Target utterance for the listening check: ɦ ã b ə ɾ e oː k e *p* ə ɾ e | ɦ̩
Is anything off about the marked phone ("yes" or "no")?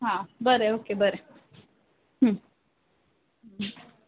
yes